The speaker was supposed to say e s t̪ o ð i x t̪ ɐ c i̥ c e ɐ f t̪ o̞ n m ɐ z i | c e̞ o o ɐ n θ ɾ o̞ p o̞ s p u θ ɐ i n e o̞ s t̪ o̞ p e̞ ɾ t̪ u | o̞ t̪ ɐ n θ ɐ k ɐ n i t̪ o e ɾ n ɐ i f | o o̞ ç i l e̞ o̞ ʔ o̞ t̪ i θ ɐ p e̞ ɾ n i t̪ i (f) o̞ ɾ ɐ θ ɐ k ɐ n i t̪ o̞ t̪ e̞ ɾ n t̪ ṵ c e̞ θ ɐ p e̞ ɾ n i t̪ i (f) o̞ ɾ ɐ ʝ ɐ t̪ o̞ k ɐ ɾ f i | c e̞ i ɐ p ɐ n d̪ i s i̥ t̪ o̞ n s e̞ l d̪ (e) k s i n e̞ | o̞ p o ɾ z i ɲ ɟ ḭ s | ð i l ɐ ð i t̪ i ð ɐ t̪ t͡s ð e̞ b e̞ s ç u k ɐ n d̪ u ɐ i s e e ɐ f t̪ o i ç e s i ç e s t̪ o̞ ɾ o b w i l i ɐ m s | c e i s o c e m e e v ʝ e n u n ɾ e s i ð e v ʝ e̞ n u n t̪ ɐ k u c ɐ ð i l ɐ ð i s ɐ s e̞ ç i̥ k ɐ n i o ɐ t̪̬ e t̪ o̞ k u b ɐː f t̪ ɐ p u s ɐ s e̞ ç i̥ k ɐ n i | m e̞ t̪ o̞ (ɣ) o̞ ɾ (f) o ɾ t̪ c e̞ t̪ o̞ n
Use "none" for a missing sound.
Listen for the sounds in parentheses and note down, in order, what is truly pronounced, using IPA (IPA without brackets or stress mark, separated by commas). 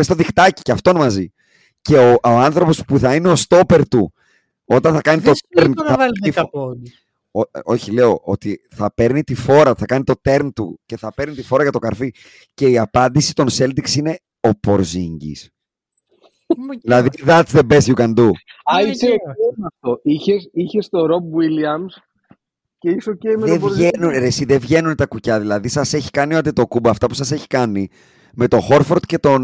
f, f, i, x, f